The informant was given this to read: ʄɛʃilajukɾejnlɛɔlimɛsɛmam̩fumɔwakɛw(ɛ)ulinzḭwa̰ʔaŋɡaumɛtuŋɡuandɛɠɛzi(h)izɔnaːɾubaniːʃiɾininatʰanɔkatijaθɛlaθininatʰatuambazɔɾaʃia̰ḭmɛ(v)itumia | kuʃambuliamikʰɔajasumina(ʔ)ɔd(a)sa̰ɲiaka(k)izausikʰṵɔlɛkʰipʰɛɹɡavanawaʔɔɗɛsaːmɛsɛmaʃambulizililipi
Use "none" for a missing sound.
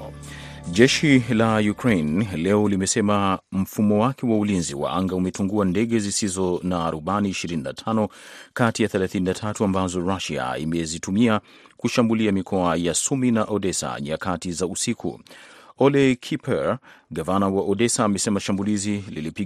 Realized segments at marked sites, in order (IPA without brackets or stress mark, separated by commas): a, s, z, ʔ, ɛ, t